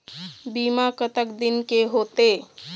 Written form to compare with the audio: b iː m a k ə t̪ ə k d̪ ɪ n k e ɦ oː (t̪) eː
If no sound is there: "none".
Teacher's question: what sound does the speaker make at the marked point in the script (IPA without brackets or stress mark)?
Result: t̪